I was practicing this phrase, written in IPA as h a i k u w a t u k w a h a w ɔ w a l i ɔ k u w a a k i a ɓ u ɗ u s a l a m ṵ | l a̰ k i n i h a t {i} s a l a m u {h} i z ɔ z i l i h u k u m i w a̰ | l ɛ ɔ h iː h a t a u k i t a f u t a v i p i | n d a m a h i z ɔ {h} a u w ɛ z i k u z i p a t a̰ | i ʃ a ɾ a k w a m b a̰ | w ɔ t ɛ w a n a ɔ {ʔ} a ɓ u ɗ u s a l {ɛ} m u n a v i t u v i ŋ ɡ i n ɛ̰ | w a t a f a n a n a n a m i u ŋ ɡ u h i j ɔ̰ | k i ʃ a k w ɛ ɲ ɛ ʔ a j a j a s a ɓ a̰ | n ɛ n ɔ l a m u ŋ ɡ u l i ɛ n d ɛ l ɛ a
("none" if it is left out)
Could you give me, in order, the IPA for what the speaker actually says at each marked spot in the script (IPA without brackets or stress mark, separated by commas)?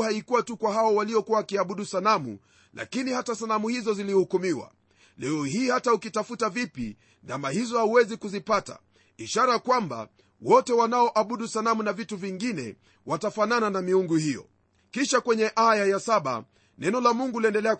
a, h, h, ʔ, a